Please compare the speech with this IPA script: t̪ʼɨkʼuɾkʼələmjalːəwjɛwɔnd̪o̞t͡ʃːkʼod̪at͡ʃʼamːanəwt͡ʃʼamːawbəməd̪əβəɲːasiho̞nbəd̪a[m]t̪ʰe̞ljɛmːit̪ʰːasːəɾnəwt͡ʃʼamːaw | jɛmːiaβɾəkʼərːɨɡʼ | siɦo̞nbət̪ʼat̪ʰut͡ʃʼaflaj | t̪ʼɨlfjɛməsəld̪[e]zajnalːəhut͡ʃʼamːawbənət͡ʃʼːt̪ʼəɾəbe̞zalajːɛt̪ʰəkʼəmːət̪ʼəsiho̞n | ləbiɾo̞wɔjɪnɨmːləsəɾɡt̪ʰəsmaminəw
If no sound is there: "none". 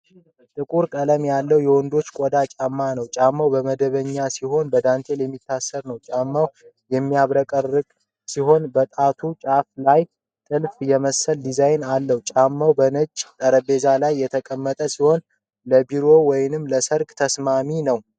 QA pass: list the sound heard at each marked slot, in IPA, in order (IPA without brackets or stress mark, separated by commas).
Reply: n, i